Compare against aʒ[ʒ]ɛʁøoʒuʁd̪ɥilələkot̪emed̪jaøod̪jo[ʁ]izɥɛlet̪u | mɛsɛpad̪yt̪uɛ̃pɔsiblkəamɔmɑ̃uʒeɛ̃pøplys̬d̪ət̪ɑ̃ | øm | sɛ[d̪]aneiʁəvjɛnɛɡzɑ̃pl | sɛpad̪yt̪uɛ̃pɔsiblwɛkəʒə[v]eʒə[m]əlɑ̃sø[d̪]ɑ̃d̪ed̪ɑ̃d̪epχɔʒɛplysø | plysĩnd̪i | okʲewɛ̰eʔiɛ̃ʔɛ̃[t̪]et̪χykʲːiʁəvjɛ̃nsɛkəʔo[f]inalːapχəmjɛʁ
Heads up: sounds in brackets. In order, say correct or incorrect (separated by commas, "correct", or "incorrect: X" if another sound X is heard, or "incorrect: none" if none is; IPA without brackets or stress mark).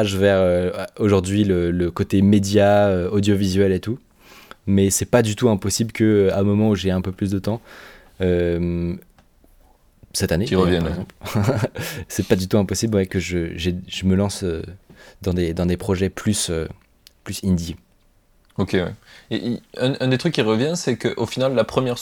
incorrect: v, incorrect: v, incorrect: t̪, incorrect: ʒ, correct, correct, incorrect: d̪, correct